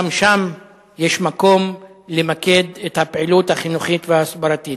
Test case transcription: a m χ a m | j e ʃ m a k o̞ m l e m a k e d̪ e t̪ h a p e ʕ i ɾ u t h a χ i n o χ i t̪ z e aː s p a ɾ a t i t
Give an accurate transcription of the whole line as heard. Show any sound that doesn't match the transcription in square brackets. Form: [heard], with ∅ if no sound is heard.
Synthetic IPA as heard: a m [ʃ] a m | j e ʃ m a k o̞ m l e m a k e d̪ e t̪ h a p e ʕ i [l] u t h a χ i n [u] χ i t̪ [v] e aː s [b] a ɾ a t i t